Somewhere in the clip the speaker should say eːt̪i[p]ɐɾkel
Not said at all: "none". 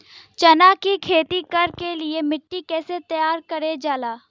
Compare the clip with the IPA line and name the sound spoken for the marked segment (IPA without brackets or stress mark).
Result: k